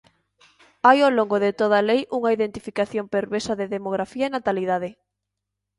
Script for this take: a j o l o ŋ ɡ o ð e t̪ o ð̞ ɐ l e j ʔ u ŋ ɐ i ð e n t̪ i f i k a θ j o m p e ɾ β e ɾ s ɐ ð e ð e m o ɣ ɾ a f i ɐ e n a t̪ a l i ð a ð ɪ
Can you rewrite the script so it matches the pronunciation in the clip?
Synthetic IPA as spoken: a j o l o ŋ ɡ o ð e t̪ o ð̞ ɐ l e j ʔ u ŋ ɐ i ð e n t̪ i f i k a θ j o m p e ɾ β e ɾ s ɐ ð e ð e m o ɣ ɾ a f i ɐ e n a t̪ a l i ð a ð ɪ